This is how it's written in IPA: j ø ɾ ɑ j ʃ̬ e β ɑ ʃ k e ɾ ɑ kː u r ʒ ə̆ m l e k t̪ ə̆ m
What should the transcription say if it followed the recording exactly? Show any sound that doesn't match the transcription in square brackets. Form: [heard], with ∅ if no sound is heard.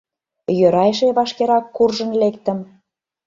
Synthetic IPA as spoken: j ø ɾ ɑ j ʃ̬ e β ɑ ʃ k e ɾ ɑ kː u r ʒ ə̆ [n] l e k t̪ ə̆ m

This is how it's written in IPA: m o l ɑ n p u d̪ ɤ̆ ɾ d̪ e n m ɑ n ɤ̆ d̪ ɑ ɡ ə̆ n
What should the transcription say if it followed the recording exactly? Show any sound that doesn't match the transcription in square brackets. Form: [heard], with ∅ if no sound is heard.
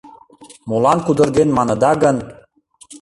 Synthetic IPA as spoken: m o l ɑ n [k] u d̪ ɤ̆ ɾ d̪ e n m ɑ n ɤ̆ d̪ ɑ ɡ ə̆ n

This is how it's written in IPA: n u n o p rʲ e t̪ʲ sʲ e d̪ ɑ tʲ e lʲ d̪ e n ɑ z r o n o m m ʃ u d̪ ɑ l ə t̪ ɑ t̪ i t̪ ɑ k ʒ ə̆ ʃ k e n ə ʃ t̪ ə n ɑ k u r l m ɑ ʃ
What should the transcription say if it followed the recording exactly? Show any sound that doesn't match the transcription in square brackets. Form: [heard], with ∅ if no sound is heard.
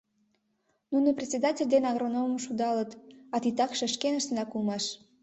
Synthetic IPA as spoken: n u n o p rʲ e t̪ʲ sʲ e d̪ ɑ tʲ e lʲ d̪ e n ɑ [ɣ] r o n o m m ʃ u d̪ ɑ l ə t̪ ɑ t̪ i t̪ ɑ k [ʃ] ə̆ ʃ k e n ə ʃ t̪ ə n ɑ k u [∅] l m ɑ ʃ

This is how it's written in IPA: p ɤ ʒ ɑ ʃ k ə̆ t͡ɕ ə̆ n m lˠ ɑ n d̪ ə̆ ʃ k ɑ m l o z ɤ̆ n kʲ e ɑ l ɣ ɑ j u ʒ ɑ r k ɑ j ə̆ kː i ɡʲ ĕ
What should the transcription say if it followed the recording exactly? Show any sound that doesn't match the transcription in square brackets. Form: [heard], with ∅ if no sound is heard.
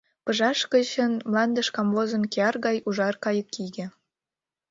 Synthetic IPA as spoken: p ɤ ʒ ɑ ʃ k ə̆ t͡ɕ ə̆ n m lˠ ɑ n d̪ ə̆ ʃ k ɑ m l o z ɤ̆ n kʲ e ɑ [r] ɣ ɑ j u ʒ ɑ r k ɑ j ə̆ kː i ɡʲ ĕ

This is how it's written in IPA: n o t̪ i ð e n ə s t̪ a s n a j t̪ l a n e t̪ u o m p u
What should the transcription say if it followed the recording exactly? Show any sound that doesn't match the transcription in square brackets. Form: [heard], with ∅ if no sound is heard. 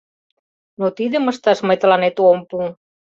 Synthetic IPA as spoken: n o t̪ i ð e [m] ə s t̪ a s [m] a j t̪ l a n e t̪ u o m p u

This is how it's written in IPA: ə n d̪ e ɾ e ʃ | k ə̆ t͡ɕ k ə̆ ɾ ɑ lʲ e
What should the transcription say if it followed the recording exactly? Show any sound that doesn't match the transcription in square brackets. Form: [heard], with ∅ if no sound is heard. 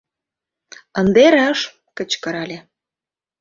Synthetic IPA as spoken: ə n d̪ e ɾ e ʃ | k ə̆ t͡ɕ k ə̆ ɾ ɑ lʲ e

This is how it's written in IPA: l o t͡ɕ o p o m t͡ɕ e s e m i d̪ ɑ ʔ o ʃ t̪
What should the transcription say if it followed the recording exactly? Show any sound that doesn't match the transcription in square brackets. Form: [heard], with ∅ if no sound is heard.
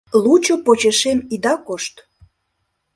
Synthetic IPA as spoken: l [u] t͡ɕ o p o [∅] t͡ɕ e [ʃ] e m i d̪ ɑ [k] o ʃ t̪

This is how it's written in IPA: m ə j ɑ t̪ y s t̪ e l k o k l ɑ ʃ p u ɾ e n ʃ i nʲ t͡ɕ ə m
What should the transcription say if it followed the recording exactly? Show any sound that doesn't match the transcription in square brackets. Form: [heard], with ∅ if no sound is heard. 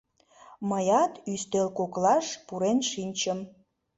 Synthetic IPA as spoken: m ə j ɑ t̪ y s t̪ e l k o k l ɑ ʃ p u ɾ e n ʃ i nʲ t͡ɕ ə m

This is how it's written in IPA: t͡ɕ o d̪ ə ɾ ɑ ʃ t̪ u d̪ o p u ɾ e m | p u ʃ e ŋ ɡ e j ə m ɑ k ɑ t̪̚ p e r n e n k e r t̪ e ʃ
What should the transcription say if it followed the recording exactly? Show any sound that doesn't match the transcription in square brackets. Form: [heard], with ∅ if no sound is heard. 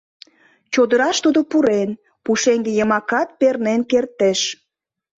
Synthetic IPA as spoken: t͡ɕ o d̪ ə ɾ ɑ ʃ t̪ u d̪ o p u ɾ e [n] | p u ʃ e ŋ ɡ e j ə m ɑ k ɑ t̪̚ p e r n e n k e r t̪ e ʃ

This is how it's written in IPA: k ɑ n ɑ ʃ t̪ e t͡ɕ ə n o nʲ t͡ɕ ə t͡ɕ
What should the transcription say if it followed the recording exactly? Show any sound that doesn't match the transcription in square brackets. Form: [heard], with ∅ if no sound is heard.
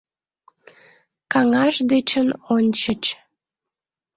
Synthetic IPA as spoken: k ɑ [ŋ] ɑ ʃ [d̪] e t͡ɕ ə n o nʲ t͡ɕ ə t͡ɕ

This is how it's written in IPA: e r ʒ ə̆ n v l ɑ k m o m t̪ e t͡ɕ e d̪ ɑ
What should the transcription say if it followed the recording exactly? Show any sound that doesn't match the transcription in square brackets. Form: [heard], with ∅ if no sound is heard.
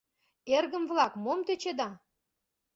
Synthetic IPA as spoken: e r [ɣ] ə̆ [m] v l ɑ k m o m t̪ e t͡ɕ e d̪ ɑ

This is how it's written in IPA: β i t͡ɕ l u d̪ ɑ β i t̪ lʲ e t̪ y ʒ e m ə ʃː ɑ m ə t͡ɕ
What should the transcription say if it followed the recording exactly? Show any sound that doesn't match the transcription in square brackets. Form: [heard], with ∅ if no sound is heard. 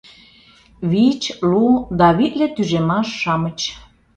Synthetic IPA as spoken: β i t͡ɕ l u d̪ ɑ β i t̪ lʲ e t̪ y ʒ e m [ɑ] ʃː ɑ m ə t͡ɕ

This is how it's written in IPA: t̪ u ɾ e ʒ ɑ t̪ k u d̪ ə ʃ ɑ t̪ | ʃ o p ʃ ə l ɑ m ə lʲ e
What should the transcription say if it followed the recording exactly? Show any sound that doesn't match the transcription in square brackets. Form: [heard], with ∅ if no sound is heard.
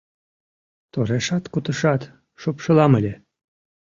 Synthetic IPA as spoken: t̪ [o] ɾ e [ʃ] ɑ t̪ k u [t̪] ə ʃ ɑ t̪ | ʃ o p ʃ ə l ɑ m ə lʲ e

